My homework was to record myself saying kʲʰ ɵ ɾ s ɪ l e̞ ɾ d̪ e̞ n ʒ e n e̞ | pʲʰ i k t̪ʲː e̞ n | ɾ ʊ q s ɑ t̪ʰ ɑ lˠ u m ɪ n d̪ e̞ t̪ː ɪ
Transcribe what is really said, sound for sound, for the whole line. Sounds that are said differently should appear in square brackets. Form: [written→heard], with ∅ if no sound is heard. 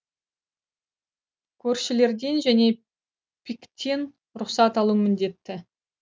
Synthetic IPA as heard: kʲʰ ɵ ɾ [s→ʃ] ɪ l e̞ ɾ d̪ e̞ n ʒ [e→æ] n e̞ | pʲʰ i k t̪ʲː e̞ n | ɾ ʊ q s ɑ [t̪ʰ→t̪] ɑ lˠ u m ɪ n d̪ e̞ t̪ː ɪ